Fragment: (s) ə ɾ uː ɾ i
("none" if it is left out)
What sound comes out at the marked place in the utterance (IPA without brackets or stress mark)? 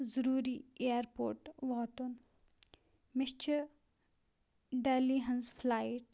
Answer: z